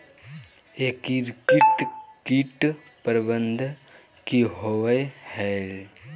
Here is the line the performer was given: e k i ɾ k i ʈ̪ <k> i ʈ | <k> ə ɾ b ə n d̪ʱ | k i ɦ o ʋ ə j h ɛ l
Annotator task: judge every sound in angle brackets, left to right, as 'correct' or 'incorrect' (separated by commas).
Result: correct, incorrect